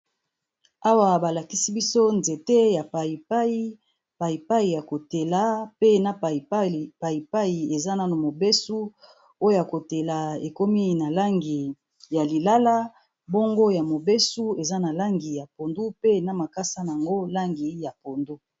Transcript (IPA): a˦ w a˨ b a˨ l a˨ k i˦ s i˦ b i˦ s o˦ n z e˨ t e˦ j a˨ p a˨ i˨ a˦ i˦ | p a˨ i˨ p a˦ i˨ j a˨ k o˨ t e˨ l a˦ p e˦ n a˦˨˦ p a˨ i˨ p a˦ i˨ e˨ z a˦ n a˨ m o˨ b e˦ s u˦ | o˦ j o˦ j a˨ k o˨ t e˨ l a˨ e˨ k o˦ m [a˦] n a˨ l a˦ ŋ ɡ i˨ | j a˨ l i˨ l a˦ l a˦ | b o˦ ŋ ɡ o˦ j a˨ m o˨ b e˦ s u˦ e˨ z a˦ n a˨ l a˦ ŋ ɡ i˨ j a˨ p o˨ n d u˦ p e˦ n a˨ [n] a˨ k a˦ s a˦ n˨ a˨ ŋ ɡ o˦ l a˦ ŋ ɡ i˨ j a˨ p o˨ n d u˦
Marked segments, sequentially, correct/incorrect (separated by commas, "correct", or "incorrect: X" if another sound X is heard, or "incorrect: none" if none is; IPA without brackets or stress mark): incorrect: i˦, incorrect: m